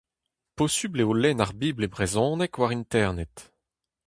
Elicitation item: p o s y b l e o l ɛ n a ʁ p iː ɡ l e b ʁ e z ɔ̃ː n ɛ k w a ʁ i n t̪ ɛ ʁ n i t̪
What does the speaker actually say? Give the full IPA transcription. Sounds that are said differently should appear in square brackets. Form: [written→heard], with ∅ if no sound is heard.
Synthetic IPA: p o s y b l e o l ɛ n a ʁ [p→b] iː [ɡ→b] l e b ʁ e z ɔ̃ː n ɛ k w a ʁ i n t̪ ɛ ʁ n [i→ɛ] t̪